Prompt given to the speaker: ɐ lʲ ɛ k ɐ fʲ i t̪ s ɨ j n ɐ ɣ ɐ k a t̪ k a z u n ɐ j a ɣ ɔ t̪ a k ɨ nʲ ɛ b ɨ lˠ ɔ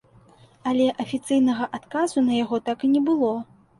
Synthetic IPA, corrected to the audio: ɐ lʲ ɛ ʔ ɐ fʲ i t̪ s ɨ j n ɐ ɣ ɐ ʔ a t̪ k a z u n ɐ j a ɣ ɔ t̪ a k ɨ nʲ ɛ b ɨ lˠ ɔ